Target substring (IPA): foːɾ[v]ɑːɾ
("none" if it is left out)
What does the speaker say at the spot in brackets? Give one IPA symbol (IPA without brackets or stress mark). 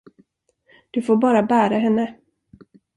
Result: b